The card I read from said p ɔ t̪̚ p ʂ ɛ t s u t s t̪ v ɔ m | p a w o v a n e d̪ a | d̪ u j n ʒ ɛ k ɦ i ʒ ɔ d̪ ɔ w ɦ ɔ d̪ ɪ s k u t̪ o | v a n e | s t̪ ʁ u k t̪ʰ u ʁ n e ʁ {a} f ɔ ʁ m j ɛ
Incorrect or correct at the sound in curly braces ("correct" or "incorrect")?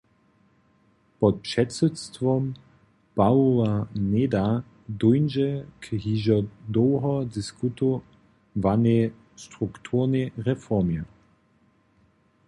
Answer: incorrect